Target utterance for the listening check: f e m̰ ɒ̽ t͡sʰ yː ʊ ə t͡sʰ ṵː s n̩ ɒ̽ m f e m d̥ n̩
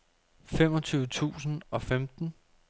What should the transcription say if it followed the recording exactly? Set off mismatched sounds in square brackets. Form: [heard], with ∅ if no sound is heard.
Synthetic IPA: f e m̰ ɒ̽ t͡sʰ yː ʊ ə t͡sʰ ṵː s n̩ ɒ̽ [∅] f e m d̥ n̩